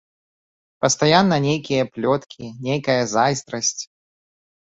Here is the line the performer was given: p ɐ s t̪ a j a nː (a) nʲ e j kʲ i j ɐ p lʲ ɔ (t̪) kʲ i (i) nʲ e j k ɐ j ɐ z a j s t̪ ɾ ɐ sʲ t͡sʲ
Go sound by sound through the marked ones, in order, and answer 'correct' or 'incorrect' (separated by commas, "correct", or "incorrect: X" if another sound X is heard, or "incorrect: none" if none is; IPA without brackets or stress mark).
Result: incorrect: ɐ, correct, correct